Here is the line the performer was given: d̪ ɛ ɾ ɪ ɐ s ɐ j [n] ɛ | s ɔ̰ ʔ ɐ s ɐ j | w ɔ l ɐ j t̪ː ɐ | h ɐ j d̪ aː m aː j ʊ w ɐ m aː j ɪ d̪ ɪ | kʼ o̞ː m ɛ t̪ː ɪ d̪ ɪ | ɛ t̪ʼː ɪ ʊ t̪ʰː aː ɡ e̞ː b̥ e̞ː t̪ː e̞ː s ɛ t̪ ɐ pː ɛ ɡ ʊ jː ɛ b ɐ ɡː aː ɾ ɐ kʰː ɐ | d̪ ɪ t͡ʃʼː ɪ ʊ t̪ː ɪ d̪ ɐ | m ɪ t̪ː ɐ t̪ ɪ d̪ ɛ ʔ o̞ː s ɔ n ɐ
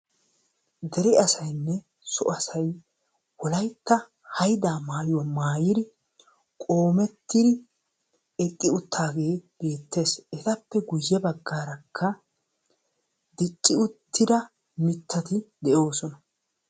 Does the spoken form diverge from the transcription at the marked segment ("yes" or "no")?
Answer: yes